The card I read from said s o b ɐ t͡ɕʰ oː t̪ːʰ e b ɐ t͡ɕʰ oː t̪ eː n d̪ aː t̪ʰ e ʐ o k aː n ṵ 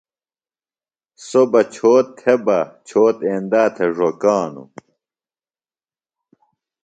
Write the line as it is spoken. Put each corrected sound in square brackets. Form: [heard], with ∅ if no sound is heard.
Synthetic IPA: s o b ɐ t͡ɕʰ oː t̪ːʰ e b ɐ t͡ɕʰ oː t̪ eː n d̪ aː t̪ʰ e ʐ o k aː n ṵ